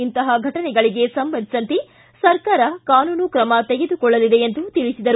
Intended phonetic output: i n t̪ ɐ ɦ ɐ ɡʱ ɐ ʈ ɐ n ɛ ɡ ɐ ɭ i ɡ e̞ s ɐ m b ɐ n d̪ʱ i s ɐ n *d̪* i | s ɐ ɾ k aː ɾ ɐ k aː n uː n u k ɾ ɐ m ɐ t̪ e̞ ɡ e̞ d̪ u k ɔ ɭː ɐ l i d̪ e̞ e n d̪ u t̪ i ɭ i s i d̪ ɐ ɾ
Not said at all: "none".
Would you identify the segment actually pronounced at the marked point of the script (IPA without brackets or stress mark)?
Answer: t̪